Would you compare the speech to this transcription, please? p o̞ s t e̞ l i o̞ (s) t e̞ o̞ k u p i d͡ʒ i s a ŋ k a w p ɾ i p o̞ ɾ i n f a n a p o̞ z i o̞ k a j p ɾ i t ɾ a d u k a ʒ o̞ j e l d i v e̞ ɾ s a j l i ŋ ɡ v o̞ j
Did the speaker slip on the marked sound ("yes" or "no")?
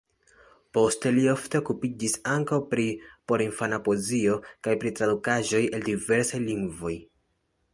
yes